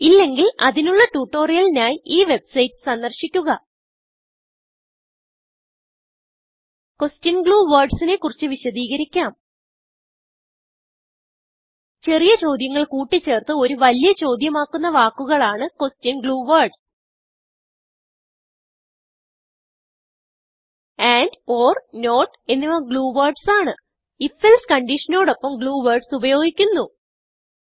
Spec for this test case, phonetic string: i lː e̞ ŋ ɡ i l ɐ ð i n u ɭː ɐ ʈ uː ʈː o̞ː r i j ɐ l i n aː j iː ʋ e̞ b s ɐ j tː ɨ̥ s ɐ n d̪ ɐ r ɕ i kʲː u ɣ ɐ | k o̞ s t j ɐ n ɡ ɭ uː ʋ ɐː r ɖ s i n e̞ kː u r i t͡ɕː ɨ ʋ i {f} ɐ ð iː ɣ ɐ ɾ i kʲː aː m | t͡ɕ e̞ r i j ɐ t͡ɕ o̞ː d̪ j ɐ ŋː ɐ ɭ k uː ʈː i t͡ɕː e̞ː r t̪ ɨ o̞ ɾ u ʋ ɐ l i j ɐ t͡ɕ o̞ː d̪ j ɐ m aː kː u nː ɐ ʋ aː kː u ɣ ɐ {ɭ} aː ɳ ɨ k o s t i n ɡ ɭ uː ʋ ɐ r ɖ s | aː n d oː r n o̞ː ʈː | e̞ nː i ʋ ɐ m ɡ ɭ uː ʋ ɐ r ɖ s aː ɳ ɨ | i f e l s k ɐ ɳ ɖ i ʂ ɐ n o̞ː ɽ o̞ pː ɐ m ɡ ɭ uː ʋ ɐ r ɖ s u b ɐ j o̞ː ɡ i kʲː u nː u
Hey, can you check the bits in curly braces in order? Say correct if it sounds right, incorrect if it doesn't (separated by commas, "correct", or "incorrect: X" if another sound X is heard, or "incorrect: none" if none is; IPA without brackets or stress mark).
incorrect: ɕ, correct